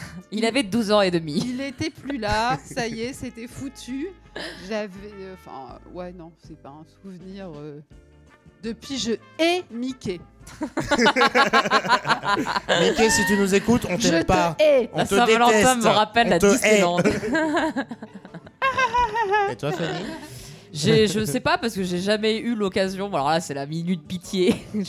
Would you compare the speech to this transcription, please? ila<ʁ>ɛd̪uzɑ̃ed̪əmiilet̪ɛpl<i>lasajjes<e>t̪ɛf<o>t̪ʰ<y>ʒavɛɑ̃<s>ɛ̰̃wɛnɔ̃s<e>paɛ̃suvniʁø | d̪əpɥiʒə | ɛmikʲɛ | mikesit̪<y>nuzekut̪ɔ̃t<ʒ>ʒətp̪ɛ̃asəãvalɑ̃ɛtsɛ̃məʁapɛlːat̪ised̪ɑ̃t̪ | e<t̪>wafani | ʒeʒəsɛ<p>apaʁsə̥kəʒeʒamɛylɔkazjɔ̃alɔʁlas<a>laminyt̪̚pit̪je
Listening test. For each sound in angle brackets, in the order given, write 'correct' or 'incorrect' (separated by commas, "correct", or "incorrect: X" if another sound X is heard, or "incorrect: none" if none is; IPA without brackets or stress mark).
incorrect: v, incorrect: y, correct, incorrect: u, correct, incorrect: f, incorrect: ɛ, correct, correct, correct, correct, incorrect: ɛ